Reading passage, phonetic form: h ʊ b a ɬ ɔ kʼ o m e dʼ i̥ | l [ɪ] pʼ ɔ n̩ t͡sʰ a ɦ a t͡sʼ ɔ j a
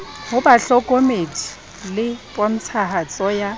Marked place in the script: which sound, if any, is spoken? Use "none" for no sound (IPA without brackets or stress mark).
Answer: ɪ